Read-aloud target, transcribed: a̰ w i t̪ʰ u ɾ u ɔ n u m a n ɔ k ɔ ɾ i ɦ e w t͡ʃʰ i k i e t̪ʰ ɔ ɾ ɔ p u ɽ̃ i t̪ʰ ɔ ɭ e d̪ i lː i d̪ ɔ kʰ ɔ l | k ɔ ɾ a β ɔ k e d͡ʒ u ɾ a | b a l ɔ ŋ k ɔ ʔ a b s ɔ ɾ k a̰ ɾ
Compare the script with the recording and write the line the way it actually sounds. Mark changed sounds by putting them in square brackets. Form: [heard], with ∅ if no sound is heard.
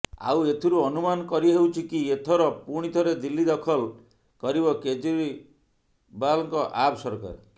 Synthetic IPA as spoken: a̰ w [e] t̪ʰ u ɾ u ɔ n u m a n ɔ k ɔ ɾ i ɦ e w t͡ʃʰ i k i e t̪ʰ ɔ ɾ ɔ p u ɽ̃ i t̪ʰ ɔ [ɾ] e d̪ i lː i d̪ ɔ kʰ ɔ l | k ɔ ɾ [i] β ɔ k e d͡ʒ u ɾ [i] | b a l ɔ ŋ k ɔ ʔ a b s ɔ ɾ k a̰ ɾ

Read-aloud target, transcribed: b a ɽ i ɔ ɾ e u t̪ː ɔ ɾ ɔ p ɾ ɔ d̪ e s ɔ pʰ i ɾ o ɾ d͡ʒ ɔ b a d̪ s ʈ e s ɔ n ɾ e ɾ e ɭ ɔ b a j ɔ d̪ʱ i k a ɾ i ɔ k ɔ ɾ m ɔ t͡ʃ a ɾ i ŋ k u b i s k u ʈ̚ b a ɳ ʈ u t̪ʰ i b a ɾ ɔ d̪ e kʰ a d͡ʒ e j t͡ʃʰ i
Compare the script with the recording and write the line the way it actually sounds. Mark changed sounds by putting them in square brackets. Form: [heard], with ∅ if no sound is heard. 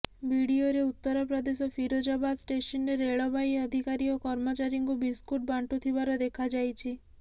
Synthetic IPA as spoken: b [i] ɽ i [o] ɾ e u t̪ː ɔ ɾ ɔ p ɾ ɔ d̪ e s ɔ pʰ i ɾ o [∅] d͡ʒ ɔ b a d̪ s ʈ e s ɔ n ɾ e ɾ e ɭ ɔ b a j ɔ d̪ʱ i k a ɾ i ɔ k ɔ ɾ m ɔ t͡ʃ a ɾ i ŋ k u b i s k u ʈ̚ b a ɳ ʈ u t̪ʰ i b a ɾ ɔ d̪ e kʰ a d͡ʒ [a] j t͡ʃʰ i

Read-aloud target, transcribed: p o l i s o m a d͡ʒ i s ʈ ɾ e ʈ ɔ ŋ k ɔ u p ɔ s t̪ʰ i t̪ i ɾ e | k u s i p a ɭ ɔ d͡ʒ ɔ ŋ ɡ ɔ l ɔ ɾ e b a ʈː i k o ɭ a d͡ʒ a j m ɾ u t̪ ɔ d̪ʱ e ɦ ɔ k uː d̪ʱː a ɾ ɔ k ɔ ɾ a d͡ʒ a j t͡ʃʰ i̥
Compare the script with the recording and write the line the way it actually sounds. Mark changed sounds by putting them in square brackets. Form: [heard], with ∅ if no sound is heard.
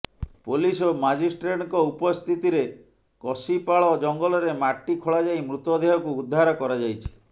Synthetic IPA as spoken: p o l i s o m a d͡ʒ i s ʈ ɾ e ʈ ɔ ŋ k ɔ u p ɔ s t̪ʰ i t̪ i ɾ e | k [ɔ] s i p a ɭ ɔ d͡ʒ ɔ ŋ ɡ ɔ l ɔ ɾ e [m] a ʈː i [kʰ] o ɭ a d͡ʒ a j m ɾ u t̪ ɔ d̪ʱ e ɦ ɔ k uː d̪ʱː a ɾ ɔ k ɔ ɾ a d͡ʒ a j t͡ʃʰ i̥

